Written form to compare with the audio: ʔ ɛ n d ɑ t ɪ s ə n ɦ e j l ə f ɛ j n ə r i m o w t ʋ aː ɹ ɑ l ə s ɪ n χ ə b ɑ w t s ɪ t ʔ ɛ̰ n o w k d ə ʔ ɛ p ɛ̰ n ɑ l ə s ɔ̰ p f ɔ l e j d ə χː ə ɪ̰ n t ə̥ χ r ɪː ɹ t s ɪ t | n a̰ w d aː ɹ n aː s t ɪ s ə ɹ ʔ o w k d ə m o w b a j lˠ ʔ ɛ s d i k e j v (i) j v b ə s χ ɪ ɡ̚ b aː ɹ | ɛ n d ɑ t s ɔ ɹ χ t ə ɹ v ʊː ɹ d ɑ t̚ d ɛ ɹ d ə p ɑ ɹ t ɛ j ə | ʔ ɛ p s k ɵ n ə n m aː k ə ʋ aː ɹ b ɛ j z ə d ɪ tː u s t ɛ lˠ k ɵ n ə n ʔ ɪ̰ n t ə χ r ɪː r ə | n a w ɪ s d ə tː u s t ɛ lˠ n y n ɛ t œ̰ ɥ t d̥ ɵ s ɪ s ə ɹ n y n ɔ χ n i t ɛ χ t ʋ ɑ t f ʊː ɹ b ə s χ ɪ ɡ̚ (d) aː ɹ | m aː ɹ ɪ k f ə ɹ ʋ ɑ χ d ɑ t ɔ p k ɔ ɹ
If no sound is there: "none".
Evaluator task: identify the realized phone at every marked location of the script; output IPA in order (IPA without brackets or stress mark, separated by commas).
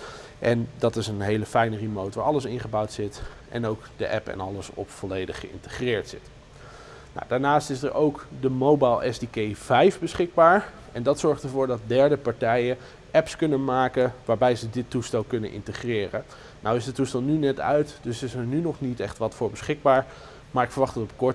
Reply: ɛ, b